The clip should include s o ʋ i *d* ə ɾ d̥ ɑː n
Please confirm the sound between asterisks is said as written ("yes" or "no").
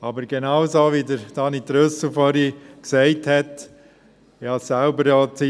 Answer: yes